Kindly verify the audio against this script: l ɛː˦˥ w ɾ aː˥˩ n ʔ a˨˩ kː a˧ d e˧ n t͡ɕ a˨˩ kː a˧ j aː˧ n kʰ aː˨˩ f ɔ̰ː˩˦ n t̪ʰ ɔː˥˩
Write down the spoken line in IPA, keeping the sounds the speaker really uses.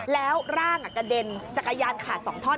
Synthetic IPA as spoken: l ɛː˦˥ w ɾ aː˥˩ ŋ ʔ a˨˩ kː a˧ d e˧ n t͡ɕ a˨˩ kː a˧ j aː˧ n kʰ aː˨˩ s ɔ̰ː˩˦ ŋ t̪ʰ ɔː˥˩